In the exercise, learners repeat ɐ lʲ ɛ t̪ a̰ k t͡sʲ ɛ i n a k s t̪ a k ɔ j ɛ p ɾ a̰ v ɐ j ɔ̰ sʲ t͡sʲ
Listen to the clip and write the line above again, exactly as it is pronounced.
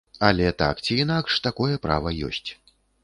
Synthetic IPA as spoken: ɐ lʲ ɛ t̪ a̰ k t͡sʲ i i n a k ʂ t̪ a k ɔ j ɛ p ɾ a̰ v ɐ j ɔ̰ sʲ t͡sʲ